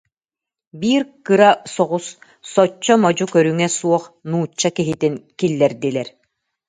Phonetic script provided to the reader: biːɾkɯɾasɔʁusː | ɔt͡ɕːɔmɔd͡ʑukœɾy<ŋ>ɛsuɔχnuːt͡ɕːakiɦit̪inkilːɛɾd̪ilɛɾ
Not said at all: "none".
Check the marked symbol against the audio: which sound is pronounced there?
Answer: ŋ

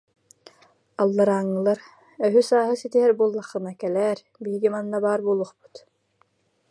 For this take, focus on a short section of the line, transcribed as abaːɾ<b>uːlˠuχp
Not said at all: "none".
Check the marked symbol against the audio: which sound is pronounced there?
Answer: b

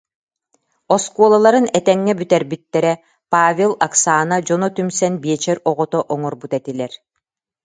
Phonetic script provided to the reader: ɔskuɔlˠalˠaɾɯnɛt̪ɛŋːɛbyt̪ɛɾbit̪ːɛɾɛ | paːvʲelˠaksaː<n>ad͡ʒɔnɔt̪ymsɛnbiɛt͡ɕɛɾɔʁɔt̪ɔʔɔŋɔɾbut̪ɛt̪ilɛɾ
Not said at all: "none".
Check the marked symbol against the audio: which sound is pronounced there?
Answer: n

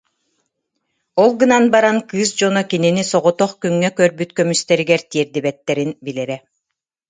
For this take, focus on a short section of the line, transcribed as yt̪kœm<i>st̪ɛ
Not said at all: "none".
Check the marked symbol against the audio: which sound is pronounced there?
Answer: y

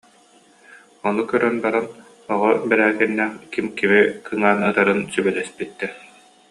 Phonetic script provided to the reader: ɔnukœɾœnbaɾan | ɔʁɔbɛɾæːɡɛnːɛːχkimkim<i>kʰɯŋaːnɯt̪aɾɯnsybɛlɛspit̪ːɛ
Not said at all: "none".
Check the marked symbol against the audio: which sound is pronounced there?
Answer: i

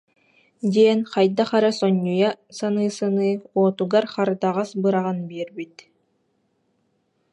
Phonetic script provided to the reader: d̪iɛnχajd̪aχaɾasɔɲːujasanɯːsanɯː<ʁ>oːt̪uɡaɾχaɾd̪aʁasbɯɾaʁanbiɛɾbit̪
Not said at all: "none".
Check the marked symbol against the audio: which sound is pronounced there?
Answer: none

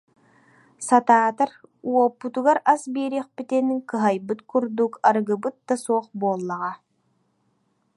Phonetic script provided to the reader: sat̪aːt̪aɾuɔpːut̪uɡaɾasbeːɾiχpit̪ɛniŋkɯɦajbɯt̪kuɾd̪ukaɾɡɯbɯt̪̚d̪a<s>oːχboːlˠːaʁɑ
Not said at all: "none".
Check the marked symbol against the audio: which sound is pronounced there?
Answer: s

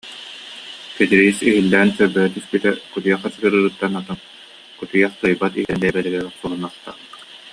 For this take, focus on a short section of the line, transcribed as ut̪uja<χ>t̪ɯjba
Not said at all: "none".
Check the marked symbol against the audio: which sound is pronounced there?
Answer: χ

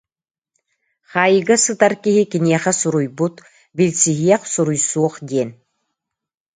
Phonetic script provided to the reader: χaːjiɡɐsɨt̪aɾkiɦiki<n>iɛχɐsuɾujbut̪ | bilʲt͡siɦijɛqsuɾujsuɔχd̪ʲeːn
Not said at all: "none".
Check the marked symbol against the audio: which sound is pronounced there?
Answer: n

